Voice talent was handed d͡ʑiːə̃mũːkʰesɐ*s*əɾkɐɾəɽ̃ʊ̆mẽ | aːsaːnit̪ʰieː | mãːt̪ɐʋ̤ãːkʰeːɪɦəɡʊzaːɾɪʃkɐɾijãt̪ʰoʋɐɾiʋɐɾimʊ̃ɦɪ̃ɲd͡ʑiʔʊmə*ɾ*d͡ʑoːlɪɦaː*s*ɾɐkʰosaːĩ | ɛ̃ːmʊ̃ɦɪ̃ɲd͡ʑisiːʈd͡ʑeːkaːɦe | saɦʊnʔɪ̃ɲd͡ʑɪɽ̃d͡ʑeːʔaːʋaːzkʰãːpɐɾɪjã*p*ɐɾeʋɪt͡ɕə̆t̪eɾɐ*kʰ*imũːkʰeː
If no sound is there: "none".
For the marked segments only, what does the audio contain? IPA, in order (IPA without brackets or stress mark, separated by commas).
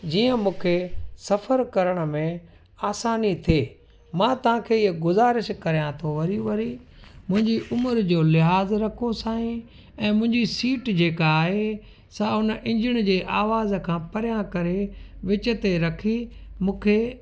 f, ɾ, z, k, kʰ